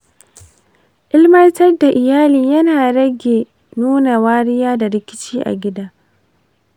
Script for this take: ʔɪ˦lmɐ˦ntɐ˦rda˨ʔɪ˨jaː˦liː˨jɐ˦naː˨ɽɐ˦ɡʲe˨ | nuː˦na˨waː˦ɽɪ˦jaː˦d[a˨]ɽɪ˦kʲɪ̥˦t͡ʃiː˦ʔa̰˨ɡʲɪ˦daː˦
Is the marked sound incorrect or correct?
correct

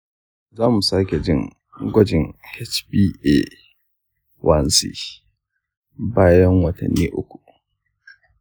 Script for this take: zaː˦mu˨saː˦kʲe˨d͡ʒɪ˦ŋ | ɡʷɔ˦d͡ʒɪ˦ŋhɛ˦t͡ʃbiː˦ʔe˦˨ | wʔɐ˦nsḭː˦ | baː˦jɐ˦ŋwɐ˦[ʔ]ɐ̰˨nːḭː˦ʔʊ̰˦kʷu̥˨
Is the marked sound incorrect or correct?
incorrect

